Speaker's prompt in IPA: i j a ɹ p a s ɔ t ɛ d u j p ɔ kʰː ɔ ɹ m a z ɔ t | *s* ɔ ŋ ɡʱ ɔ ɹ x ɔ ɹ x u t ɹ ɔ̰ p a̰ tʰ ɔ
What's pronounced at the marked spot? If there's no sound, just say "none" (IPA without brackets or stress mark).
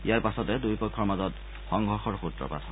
x